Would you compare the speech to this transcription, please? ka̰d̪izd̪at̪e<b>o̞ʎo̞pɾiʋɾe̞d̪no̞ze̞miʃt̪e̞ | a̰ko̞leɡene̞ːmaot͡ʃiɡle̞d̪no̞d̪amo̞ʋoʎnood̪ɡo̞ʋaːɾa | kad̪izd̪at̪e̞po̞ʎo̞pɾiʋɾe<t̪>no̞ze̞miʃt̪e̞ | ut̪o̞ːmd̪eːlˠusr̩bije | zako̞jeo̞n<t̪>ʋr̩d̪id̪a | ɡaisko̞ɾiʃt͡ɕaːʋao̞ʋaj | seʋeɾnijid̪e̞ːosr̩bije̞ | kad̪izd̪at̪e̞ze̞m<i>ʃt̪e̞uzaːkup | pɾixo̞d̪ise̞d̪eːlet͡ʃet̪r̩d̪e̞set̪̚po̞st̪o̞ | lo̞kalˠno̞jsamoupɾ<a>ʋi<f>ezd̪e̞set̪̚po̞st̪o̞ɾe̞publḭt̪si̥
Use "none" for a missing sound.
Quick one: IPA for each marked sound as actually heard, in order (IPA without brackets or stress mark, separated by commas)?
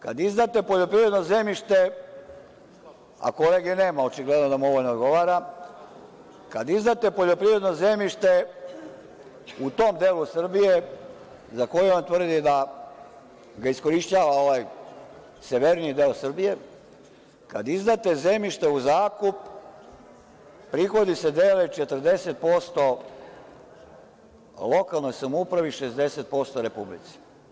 p, d̪, t̪, i, a, ʃ